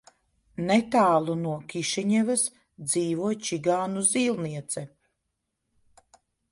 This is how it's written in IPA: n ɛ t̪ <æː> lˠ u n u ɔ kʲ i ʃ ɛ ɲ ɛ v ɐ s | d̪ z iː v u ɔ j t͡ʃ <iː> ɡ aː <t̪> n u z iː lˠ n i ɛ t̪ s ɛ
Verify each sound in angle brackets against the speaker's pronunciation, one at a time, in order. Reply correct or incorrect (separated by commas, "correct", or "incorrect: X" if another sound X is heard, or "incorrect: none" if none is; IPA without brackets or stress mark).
incorrect: aː, incorrect: i, incorrect: none